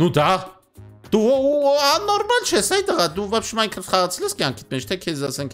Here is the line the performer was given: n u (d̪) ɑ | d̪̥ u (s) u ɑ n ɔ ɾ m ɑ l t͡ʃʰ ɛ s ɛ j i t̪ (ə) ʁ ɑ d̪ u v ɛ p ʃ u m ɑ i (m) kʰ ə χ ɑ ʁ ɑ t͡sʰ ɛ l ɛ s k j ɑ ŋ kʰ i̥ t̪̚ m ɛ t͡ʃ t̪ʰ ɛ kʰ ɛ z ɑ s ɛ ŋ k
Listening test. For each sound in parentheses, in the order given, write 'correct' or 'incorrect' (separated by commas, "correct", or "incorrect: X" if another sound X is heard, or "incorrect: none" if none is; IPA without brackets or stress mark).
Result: correct, incorrect: none, correct, incorrect: ŋ